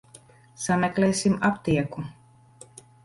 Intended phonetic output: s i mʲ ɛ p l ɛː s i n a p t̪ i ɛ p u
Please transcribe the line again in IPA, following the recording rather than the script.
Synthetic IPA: s a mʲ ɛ k l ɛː s i m a p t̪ i ɛ k u

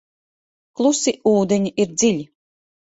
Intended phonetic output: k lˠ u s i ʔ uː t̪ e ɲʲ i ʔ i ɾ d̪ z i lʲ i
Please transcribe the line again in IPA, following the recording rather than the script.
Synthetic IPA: k lˠ u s i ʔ uː d̪ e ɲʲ i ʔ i ɾ d̪ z i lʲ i

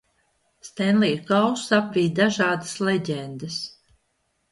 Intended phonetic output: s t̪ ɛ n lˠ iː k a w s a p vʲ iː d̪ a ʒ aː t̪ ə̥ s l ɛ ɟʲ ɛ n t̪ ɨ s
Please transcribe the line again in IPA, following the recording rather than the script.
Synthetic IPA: s t̪ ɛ n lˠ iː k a w s a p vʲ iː d̪ a ʒ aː d̪ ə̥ s l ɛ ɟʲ ɛ n d̪ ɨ s

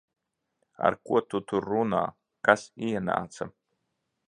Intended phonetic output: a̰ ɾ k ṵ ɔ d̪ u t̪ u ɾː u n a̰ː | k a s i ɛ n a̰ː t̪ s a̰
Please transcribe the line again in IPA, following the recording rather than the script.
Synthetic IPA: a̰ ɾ k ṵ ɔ t̪ u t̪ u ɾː u n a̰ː | k a s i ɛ n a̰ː t̪ s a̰

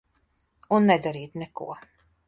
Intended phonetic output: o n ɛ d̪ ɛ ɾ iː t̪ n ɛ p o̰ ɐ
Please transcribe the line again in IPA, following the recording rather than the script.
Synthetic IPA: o nː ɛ d̪ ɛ ɾ iː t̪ n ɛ k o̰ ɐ

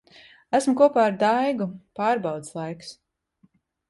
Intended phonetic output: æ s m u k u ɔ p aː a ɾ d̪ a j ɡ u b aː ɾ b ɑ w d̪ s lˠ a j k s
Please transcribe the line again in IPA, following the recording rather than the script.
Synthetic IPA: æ s m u k u ɔ p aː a ɾ d̪ a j ɡ u p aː ɾ b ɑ w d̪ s lˠ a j k s

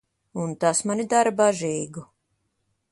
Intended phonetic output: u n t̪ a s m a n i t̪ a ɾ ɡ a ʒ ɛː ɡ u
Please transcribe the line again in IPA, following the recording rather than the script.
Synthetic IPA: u n t̪ a s m a n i d̪ a ɾ b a ʒ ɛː ɡ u

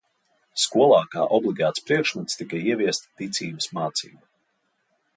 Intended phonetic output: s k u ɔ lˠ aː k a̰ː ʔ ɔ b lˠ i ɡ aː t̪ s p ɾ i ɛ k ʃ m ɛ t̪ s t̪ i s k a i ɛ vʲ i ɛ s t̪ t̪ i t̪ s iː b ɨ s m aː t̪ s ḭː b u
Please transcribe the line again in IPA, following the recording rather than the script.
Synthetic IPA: s k u ɔ lˠ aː k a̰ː ʔ ɔ b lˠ i ɡ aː t̪ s p ɾ i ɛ k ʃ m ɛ t̪ s t̪ i k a i ɛ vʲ i ɛ s t̪ t̪ i t̪ s iː b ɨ s m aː t̪ s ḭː b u

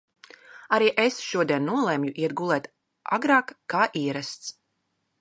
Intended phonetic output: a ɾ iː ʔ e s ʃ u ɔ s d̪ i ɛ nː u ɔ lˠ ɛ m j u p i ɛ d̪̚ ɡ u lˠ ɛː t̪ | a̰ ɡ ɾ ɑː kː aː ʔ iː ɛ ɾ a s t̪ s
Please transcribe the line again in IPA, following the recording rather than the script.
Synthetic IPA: a ɾ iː ʔ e s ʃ u ɔ d̪ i ɛ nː u ɔ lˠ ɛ m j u ʔ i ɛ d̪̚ ɡ u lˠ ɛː t̪ | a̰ ɡ ɾ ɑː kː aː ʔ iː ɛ ɾ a s t̪ s

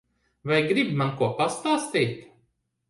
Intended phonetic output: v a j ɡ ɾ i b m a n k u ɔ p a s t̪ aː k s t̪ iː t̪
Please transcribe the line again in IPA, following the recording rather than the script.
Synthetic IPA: v a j ɡ ɾ i b m a n k u ɔ p a s t̪ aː s t̪ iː t̪

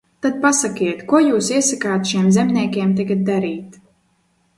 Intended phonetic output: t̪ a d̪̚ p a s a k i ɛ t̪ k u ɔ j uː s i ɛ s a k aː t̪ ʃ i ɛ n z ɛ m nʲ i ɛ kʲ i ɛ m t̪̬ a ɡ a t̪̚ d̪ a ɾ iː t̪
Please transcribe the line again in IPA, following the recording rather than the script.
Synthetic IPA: t̪ a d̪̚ p a s a k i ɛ t̪ k u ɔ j uː s i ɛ s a k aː t̪ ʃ i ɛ m z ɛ m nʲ i ɛ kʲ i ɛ m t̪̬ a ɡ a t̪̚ d̪ a ɾ iː t̪

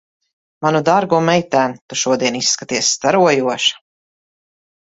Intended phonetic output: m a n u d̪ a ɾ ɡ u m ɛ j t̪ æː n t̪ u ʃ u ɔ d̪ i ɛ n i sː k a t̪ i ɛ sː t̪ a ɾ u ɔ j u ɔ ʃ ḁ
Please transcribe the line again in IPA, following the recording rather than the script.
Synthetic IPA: m a n u d̪ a ɾ ɡ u m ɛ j t̪ æː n t̪ u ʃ u ɔ d̪ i ɛ n i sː k a t̪ i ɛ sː t̪ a ɾ u ɔ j u ɔ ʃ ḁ

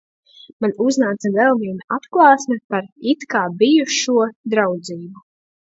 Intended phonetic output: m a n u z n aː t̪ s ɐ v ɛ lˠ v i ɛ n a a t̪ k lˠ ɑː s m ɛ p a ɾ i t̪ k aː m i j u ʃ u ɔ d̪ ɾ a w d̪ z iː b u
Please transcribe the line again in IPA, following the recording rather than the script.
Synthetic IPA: m a n u z n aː t̪ s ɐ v ɛ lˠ v i ɛ n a a t̪ k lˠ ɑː s m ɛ p a ɾ i t̪ k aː b i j u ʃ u ɔ d̪ ɾ a w d̪ z iː b u

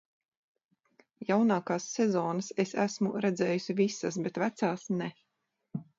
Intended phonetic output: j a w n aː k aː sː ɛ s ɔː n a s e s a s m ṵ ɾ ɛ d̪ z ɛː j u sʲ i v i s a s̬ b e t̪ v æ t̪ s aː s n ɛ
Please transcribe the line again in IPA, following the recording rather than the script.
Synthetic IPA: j a w n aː k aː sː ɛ z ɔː n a s e s æ s m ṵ ɾ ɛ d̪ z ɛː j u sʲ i v i s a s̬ b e t̪ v æ t̪ s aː s n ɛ

